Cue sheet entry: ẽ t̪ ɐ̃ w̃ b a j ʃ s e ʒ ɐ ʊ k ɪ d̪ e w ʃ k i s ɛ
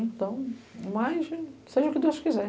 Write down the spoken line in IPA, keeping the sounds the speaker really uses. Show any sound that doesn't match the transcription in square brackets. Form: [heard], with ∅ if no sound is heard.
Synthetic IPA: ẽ t̪ ɐ̃ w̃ [m] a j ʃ s e ʒ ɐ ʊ k ɪ d̪ e w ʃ k i [z] ɛ